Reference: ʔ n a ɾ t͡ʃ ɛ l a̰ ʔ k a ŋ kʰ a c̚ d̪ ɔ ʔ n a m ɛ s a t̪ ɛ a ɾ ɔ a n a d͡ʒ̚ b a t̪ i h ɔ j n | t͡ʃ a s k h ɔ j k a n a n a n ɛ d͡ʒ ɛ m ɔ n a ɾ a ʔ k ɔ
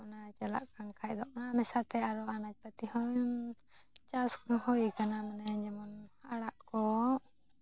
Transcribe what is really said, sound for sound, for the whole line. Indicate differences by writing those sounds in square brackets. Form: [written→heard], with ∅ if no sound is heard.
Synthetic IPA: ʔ n a [ɾ→∅] t͡ʃ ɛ l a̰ ʔ k a ŋ kʰ a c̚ d̪ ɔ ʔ n a m ɛ s a t̪ ɛ a ɾ ɔ a n a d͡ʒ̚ [b→p] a t̪ i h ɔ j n | t͡ʃ a s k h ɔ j k a n a [n→m] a n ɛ d͡ʒ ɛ m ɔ n a [ɾ→ɽ] a ʔ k ɔ